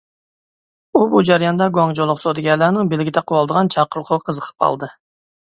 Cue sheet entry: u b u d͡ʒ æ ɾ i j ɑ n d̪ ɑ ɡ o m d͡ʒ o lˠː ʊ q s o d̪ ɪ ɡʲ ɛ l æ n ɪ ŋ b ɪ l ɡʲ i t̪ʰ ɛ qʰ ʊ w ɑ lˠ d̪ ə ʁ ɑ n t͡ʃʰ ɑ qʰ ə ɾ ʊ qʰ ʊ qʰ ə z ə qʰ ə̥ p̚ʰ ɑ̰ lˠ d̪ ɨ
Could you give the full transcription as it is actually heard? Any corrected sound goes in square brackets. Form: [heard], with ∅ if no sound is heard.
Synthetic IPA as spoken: u b u d͡ʒ æ ɾ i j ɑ n d̪ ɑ ɡ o [ŋ] d͡ʒ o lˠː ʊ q s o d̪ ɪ ɡʲ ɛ l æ n ɪ ŋ b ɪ l ɡʲ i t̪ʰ ɛ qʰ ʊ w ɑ lˠ d̪ ə ʁ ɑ n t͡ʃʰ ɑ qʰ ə ɾ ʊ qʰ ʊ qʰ ə z ə qʰ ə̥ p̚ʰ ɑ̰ lˠ d̪ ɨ